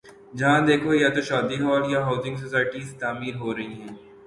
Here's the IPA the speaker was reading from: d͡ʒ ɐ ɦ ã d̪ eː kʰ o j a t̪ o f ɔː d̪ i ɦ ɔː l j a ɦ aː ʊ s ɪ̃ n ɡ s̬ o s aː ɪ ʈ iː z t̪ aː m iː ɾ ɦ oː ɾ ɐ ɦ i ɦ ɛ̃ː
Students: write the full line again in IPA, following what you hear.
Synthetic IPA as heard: d͡ʒ ɐ ɦ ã d̪ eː kʰ o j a t̪ o ʃ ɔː d̪ i ɦ ɔː l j a ɦ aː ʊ z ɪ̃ ŋ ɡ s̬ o s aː ɪ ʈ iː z t̪ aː m iː ɾ ɦ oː ɾ ɐ ɦ i ɦ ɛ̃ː